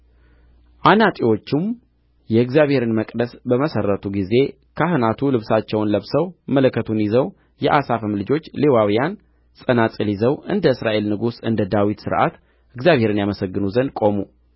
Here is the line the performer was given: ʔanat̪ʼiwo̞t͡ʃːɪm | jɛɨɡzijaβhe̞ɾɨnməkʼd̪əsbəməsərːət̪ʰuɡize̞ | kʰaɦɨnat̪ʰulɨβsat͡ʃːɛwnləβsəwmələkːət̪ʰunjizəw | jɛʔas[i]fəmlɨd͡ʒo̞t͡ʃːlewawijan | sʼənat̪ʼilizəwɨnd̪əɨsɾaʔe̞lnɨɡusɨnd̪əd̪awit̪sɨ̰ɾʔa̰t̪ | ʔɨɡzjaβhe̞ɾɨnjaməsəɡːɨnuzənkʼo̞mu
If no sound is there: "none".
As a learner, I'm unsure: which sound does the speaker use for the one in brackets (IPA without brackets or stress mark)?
a